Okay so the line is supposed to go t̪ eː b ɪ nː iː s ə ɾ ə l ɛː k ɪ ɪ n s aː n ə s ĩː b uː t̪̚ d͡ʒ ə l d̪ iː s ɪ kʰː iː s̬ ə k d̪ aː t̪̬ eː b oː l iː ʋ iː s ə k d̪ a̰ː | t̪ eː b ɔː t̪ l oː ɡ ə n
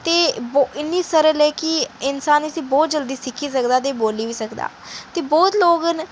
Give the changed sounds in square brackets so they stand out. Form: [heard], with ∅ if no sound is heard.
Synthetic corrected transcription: t̪ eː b ɪ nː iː s ə ɾ ə l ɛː k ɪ ɪ n s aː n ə s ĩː b [ɔː] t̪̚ d͡ʒ ə l d̪ iː s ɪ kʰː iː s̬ ə k d̪ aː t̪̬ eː b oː l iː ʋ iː s ə k d̪ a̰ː | t̪ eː b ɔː t̪ l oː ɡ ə n